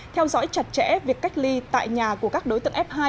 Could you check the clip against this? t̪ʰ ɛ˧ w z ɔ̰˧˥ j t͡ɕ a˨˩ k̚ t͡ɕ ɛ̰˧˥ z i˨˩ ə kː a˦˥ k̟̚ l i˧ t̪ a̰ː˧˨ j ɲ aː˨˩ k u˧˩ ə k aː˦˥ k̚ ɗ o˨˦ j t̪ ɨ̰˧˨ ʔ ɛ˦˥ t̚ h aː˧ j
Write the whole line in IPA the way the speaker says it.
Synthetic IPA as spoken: t̪ʰ ɛ˧ w z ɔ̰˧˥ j t͡ɕ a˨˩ t̚ t͡ɕ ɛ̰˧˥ v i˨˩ ə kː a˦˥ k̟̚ l i˧ t̪ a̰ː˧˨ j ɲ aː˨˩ k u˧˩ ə k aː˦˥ k̚ ɗ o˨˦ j t̪ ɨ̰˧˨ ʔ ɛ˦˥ p̚ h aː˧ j